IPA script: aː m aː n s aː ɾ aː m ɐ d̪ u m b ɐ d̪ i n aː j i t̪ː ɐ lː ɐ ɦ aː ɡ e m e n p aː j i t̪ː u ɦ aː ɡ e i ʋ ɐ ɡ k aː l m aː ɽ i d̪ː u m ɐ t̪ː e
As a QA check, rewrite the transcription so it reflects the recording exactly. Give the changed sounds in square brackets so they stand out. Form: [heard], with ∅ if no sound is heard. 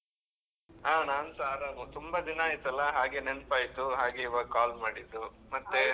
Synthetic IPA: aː [n] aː n s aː ɾ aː m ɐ [t̪] u m b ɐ d̪ i n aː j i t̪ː ɐ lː ɐ ɦ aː ɡ e [n] e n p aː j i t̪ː u ɦ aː ɡ e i ʋ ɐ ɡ k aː l m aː ɽ i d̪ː u m ɐ t̪ː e